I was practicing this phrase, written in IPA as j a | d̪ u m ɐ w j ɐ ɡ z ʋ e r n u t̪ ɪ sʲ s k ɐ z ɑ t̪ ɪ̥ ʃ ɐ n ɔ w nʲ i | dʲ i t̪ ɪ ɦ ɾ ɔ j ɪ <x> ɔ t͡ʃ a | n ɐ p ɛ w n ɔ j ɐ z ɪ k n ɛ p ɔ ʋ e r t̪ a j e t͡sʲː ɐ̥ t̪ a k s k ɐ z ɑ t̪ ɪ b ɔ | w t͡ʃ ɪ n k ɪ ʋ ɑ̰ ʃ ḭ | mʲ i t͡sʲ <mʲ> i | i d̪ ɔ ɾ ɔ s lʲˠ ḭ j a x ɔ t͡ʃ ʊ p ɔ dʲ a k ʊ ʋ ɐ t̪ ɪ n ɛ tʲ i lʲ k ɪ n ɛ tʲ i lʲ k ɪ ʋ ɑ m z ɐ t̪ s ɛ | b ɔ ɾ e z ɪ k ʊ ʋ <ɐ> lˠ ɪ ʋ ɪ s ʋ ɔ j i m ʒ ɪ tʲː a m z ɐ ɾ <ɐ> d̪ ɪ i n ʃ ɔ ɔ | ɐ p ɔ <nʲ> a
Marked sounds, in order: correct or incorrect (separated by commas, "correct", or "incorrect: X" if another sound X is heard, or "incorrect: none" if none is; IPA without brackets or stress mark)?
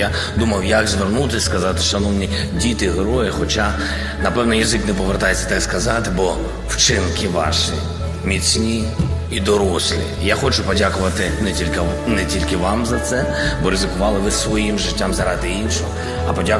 correct, incorrect: nʲ, incorrect: ɑ, incorrect: ɑ, incorrect: dʲ